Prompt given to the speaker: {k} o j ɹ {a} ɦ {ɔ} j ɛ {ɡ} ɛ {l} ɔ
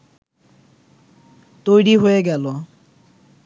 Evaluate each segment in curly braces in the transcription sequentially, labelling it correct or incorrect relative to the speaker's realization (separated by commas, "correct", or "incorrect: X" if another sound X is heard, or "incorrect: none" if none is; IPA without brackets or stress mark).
incorrect: t, incorrect: i, incorrect: o, correct, correct